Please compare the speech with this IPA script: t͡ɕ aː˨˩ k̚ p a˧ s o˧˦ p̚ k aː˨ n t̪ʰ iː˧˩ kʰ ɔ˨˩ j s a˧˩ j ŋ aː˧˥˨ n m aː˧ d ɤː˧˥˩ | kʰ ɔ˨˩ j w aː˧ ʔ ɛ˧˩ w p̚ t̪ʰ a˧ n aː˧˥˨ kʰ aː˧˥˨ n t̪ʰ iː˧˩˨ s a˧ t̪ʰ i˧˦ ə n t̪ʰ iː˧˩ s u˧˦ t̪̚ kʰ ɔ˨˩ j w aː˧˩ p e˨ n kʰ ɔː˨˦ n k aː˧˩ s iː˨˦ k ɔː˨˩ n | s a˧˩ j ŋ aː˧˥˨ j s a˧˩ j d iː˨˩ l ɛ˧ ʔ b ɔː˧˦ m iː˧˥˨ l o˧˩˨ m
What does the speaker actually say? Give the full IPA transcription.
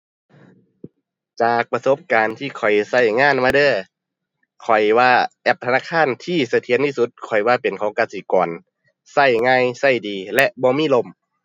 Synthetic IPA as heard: t͡ɕ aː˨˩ k̚ p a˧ s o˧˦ p̚ k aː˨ n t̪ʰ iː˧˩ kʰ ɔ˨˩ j s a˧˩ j ŋ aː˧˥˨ n m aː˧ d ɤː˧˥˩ | kʰ ɔ˨˩ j w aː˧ ʔ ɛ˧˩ p̚ t̪ʰ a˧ n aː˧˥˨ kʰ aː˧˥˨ n t̪ʰ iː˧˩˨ s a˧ t̪ʰ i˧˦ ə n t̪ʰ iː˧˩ s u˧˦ t̪̚ kʰ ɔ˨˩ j w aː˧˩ p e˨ n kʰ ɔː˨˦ ŋ k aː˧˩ s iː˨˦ k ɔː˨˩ n | s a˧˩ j ŋ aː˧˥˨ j s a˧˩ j d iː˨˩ l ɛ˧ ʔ b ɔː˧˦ m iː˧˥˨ l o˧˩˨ m

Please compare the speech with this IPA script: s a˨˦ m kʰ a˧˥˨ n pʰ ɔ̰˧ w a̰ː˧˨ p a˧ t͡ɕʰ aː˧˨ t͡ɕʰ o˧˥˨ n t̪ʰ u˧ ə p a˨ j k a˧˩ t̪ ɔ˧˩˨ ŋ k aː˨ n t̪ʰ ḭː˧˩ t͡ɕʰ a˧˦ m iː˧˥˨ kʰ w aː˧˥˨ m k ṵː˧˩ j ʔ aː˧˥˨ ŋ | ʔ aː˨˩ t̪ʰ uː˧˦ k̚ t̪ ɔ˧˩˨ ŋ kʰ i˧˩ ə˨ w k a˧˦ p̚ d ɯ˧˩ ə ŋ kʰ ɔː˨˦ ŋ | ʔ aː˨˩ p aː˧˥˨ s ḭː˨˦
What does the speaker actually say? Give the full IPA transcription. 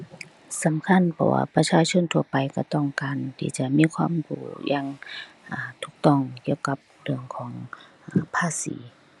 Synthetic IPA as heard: s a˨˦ m kʰ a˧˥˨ n pʰ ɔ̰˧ w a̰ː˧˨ p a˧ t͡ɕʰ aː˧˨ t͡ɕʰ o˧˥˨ n t̪ʰ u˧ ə p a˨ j k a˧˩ t̪ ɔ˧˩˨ ŋ k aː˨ n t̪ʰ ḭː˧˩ t͡ɕ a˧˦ m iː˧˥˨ kʰ w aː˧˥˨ m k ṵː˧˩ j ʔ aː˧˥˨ ŋ | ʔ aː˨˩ t̪ʰ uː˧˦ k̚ t̪ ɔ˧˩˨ ŋ k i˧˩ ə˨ w k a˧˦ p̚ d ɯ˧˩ ə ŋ kʰ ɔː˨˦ ŋ | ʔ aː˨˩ pʰ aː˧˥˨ s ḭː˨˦

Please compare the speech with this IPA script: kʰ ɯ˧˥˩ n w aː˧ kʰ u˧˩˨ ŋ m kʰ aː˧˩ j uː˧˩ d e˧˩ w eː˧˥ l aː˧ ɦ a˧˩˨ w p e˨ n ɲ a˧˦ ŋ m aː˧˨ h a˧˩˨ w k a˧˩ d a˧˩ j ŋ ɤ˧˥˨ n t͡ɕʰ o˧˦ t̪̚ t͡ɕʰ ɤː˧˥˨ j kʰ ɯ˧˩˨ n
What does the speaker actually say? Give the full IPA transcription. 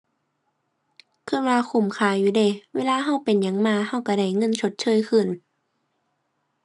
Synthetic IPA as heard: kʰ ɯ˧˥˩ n w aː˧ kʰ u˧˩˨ m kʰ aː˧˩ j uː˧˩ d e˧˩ w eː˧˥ l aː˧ ɦ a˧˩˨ w p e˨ n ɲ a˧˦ ŋ m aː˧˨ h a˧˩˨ w k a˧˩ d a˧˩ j ŋ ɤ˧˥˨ n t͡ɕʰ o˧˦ t̪̚ t͡ɕʰ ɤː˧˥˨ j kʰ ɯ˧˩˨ n

